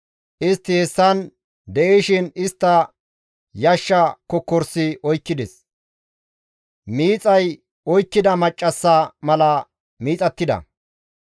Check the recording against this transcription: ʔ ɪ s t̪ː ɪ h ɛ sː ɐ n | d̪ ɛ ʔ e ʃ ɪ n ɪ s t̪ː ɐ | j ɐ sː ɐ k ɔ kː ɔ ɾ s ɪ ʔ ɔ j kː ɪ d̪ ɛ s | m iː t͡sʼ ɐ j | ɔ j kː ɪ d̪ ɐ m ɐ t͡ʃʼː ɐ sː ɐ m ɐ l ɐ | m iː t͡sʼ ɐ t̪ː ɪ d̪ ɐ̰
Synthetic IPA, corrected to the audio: ʔ ɪ s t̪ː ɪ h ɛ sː ɐ n | d̪ ɛ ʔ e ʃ ɪ n ɪ s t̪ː ɐ | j ɐ ʃː ɐ k ɔ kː ɔ ɾ s ɪ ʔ ɔ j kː ɪ d̪ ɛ s | m iː t͡sʼ ɐ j | ɔ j kː ɪ d̪ ɐ m ɐ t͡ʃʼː ɐ sː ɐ m ɐ l ɐ | m iː t͡sʼ ɐ t̪ː ɪ d̪ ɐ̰